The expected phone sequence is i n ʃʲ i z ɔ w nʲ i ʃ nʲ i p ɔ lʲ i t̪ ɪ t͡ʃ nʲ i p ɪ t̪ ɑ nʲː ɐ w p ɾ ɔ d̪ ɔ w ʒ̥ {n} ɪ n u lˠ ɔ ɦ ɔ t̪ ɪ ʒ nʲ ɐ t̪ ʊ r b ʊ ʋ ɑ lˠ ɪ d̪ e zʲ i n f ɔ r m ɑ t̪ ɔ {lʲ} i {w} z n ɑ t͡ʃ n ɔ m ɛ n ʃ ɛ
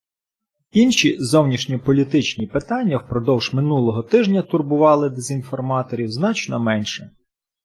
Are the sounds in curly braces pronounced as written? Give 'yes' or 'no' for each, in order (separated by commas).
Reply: no, no, yes